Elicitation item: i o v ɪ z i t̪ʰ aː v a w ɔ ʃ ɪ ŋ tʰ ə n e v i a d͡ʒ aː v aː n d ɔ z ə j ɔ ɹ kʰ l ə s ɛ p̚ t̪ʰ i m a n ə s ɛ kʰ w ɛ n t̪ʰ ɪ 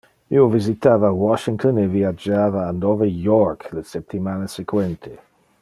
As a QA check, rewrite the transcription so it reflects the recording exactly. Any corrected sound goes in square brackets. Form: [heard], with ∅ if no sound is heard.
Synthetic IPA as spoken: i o v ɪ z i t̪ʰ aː v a w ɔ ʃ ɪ ŋ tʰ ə n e v i a d͡ʒ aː v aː n d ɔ [v] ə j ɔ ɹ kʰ l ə s ɛ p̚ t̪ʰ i m a n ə s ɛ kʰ w ɛ n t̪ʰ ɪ